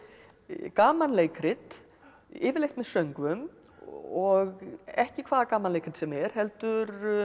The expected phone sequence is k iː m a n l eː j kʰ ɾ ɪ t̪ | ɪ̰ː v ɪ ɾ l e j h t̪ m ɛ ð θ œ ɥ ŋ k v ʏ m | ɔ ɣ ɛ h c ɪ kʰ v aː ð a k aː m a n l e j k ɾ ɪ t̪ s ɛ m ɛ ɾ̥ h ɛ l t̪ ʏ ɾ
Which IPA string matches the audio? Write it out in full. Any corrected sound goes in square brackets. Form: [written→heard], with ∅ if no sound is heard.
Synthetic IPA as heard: k [iː→aː] m a n l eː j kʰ ɾ ɪ t̪ | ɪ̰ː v ɪ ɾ l e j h t̪ m ɛ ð [θ→s] œ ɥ ŋ k v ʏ m | ɔ ɣ ɛ h c ɪ kʰ v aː ð a k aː m a n l e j k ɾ ɪ t̪ s ɛ m ɛ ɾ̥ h ɛ l t̪ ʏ ɾ